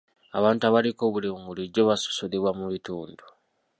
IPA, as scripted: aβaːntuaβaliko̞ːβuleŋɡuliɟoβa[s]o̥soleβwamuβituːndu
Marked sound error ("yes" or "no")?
no